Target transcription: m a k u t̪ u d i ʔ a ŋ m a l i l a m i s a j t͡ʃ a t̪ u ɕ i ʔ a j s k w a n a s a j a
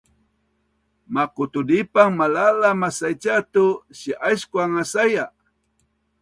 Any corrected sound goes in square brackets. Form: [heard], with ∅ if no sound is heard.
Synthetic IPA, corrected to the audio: m a k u t̪ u d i [p] a ŋ m a l [a] l a m [a] s a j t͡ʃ a t̪ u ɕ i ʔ a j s k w a [ŋ] a s a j a